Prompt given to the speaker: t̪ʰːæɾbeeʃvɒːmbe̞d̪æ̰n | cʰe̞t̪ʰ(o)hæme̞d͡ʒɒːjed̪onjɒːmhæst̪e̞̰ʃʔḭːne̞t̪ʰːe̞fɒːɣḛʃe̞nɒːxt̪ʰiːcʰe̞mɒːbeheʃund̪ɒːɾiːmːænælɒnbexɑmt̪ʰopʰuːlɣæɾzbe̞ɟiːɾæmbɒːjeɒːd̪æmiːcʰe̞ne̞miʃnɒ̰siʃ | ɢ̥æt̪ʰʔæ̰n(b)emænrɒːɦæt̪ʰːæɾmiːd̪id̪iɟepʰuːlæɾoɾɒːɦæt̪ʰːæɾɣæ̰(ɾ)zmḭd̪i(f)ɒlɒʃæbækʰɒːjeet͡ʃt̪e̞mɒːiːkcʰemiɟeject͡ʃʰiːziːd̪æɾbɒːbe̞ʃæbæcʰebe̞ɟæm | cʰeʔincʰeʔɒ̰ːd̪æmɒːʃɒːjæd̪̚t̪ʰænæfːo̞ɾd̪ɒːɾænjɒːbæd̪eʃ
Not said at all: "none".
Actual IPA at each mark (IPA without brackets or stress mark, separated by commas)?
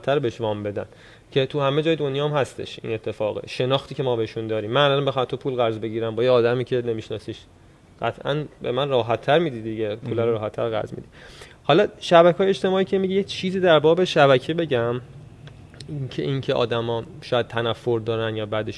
u, b, ɾ, h